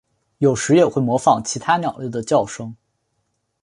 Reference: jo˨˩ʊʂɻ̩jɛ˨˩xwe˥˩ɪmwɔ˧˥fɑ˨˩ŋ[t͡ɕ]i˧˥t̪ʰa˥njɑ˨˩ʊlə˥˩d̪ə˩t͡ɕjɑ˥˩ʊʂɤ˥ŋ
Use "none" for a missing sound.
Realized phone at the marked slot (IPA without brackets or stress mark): t͡ɕʰ